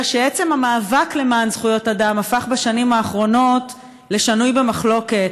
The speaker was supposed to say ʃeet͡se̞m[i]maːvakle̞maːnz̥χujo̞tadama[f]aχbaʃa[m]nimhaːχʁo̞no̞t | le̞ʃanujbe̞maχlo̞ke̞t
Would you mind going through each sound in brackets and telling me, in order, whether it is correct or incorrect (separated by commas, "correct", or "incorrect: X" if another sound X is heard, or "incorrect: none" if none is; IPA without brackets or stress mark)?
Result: incorrect: a, correct, incorrect: none